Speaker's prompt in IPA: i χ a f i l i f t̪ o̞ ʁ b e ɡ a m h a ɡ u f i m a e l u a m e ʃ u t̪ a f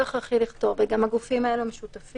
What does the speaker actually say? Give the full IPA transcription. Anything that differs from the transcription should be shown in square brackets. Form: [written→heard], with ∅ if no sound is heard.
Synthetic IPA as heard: [i→a] χ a [f→χ] i l i [f→χ] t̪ o̞ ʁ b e ɡ a m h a ɡ u f i m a e l u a m e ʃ u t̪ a f